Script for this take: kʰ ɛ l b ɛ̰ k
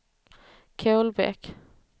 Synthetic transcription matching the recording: kʰ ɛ l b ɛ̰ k